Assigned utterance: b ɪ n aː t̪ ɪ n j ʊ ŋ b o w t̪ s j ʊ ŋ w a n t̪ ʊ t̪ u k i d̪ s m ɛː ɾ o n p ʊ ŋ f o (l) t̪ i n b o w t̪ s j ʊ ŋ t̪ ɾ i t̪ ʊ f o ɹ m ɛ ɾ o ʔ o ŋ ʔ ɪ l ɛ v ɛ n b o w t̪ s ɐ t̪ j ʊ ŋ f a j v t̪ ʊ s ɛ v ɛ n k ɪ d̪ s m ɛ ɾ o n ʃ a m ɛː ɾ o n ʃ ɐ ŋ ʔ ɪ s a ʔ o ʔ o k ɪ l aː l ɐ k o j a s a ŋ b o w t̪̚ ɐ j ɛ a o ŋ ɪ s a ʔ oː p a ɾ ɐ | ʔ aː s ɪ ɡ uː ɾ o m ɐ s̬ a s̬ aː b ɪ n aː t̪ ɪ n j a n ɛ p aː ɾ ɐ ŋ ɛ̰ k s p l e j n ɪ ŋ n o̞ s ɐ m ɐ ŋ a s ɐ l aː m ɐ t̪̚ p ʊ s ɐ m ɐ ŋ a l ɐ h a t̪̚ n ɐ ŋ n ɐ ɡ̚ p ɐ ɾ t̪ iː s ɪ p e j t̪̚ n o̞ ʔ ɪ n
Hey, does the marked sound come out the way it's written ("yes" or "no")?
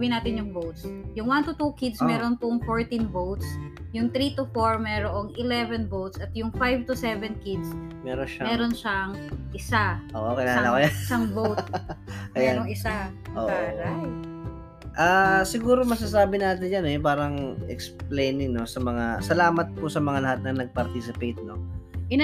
no